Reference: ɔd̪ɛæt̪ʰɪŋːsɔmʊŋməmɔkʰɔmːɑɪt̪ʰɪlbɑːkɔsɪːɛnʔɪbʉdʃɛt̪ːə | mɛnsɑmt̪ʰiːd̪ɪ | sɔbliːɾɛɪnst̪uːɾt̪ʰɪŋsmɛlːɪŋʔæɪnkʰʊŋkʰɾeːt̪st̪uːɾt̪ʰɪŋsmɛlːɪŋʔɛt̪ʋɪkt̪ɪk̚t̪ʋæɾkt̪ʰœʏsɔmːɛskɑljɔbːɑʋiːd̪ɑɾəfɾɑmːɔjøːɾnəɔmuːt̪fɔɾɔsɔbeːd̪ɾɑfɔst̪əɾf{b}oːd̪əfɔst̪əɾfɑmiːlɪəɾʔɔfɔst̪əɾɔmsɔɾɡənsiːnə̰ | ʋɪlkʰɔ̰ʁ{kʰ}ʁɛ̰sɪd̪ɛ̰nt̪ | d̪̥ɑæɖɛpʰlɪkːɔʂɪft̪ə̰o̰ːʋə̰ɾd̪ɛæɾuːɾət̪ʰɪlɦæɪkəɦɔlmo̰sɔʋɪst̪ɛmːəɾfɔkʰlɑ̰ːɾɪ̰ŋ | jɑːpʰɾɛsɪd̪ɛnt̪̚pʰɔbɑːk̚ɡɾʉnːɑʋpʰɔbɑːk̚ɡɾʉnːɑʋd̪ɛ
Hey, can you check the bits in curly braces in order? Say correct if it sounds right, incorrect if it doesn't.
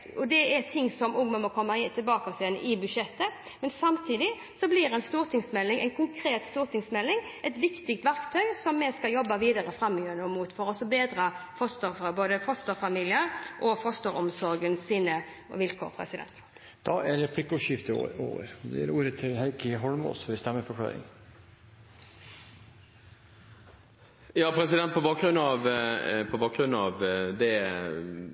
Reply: correct, incorrect

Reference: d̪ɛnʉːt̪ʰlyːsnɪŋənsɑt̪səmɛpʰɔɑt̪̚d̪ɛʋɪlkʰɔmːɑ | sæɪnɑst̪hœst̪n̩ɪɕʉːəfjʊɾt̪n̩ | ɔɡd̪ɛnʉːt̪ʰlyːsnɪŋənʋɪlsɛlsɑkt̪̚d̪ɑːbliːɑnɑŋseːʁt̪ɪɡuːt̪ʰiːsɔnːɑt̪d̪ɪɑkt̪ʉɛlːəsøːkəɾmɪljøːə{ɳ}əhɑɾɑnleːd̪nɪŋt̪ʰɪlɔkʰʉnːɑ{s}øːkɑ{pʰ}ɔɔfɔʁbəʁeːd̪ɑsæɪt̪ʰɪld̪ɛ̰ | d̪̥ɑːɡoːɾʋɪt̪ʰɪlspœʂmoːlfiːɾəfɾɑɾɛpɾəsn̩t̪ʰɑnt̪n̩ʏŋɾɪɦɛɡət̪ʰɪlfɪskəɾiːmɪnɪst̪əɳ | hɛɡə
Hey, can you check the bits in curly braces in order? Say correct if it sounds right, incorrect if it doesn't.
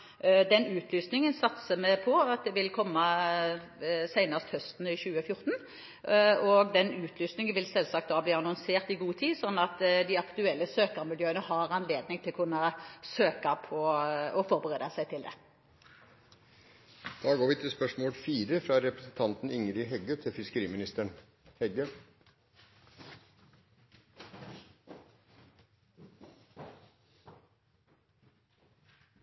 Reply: incorrect, correct, correct

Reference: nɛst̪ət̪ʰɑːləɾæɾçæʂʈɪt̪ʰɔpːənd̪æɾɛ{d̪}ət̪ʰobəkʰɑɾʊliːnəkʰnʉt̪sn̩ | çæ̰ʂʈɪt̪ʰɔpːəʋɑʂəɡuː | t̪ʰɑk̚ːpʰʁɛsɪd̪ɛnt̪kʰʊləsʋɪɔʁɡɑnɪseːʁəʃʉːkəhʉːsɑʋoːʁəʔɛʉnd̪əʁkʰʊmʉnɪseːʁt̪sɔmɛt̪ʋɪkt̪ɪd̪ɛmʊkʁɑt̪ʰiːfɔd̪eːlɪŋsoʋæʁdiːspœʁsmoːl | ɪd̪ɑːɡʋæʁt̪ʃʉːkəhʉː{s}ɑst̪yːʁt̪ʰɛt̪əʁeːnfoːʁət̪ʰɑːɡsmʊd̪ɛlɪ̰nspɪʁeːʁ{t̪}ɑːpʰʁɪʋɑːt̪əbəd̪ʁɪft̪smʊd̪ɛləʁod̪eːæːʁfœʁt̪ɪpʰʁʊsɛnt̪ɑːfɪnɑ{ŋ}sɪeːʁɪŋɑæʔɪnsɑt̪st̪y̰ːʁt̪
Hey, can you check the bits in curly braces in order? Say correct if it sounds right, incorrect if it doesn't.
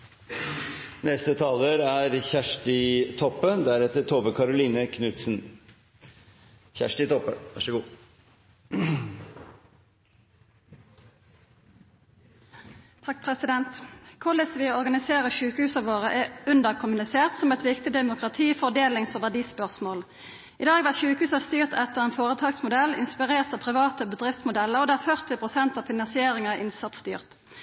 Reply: incorrect, correct, correct, incorrect

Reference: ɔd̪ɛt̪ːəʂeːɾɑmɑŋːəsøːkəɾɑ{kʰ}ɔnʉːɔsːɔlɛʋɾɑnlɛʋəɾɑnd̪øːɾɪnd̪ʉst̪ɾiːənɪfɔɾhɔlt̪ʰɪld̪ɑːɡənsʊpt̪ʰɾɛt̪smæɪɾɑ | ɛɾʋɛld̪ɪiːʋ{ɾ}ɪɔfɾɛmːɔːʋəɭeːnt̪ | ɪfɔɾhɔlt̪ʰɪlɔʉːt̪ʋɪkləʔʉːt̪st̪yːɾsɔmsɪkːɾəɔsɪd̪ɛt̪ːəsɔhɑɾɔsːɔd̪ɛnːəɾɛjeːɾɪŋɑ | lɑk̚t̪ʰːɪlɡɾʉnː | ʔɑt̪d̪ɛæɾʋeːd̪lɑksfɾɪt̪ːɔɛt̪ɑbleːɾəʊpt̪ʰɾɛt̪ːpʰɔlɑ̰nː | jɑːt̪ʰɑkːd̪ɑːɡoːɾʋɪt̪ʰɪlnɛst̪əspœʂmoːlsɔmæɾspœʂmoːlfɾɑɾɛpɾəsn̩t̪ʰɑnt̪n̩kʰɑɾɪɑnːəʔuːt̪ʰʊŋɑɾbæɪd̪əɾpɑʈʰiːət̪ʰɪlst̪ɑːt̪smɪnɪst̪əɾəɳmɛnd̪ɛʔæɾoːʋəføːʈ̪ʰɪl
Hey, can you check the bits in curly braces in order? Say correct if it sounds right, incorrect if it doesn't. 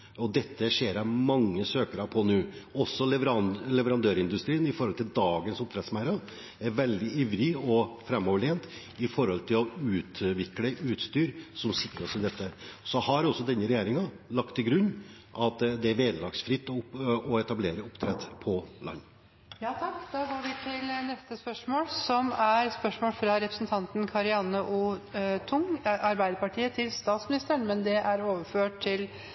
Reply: incorrect, correct

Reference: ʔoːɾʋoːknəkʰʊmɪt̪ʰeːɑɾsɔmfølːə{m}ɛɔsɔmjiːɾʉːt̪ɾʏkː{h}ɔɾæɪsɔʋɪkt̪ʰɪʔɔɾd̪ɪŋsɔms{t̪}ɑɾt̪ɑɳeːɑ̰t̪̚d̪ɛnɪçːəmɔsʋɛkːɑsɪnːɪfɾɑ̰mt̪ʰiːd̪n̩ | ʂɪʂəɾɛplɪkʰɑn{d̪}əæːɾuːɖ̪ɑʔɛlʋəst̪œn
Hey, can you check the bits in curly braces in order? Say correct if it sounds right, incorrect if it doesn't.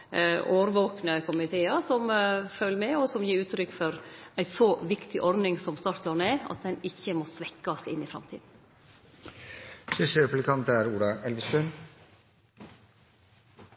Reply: correct, incorrect, correct, incorrect

